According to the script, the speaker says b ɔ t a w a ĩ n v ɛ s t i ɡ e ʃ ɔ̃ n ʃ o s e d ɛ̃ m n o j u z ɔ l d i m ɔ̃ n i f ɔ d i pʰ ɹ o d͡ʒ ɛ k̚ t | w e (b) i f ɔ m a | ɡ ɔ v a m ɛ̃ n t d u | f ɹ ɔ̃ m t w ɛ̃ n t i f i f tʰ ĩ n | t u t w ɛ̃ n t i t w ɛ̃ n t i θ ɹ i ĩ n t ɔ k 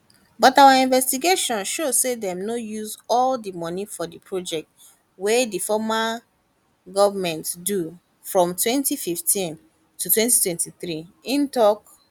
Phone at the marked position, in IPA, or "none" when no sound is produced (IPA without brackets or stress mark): d